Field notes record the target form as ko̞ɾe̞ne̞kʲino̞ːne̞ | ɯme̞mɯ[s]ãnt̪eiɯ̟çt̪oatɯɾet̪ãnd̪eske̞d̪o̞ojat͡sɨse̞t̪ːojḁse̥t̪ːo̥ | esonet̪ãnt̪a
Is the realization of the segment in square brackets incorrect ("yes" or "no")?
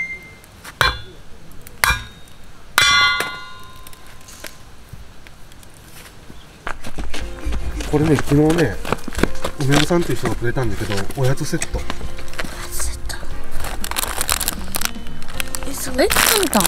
no